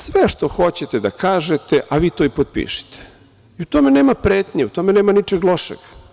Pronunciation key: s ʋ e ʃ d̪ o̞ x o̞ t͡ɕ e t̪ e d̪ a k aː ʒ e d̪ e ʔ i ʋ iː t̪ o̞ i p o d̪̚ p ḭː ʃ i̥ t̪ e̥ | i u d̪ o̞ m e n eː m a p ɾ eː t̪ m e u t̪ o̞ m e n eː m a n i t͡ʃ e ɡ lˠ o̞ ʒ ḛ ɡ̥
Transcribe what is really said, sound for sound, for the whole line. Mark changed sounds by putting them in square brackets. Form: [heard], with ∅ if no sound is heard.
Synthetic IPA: s ʋ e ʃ [t̪] o̞ x o̞ t͡ɕ e t̪ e d̪ a k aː ʒ e [t̪] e ʔ [a] ʋ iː t̪ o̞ i p o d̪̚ p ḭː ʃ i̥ t̪ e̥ | i u [t̪] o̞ m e n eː m a p ɾ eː t̪ [ɲ] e u t̪ o̞ m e n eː m a n i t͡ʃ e ɡ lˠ o̞ [ʃ] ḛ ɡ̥